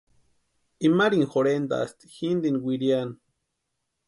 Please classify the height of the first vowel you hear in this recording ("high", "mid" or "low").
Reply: high